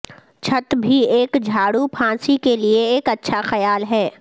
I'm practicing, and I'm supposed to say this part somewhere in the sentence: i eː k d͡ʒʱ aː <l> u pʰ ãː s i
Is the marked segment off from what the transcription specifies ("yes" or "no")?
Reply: yes